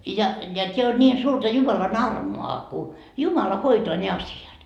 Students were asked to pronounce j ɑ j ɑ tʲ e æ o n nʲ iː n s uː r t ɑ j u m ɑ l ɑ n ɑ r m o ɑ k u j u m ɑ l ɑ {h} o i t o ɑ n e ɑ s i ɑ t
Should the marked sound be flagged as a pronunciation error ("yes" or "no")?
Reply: no